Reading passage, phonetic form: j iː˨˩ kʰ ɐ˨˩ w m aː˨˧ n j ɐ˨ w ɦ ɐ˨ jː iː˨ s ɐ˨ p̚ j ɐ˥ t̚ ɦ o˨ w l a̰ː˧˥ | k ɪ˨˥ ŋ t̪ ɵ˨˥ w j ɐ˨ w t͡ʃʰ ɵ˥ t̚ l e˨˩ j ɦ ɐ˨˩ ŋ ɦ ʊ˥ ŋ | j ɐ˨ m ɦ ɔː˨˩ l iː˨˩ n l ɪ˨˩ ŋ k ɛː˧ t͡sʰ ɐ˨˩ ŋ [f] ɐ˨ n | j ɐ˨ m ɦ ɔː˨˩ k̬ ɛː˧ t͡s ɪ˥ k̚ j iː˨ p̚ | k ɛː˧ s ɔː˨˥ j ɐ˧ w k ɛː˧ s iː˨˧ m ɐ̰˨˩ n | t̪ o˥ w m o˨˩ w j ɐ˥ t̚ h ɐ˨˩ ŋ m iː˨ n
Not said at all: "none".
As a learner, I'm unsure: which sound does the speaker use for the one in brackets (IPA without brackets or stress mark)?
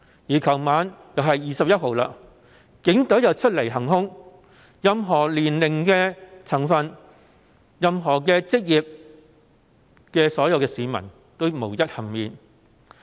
f